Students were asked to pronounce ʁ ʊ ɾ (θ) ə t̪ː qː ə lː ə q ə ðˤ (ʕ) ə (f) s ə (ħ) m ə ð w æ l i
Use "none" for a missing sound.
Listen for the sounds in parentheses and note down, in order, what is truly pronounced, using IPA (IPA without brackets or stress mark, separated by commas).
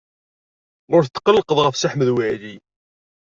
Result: θ, ʁ, f, ħ